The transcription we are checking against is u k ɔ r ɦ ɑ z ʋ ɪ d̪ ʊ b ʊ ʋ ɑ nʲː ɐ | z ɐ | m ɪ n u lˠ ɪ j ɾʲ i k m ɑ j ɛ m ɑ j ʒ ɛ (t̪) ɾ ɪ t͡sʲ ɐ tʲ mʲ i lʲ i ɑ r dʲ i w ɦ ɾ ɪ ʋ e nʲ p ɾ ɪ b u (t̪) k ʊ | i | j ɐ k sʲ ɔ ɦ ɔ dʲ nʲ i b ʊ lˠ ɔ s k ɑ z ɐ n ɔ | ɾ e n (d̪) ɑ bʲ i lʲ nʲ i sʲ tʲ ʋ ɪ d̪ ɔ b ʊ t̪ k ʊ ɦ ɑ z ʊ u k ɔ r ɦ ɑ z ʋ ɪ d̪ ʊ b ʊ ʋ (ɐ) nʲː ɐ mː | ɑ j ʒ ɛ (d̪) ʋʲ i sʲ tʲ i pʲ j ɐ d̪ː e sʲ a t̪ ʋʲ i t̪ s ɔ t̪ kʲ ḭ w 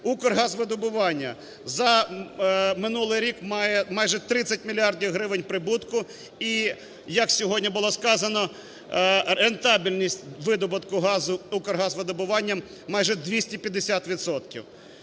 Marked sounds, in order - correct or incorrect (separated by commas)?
correct, correct, incorrect, incorrect, correct